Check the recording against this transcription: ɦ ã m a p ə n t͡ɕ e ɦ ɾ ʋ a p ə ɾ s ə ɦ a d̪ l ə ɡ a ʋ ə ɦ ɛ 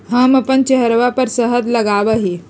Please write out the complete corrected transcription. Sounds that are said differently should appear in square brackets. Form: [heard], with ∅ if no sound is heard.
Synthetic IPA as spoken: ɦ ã m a p ə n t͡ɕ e ɦ ɾ ʋ a p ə ɾ s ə ɦ [ə] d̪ l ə ɡ a ʋ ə ɦ [i]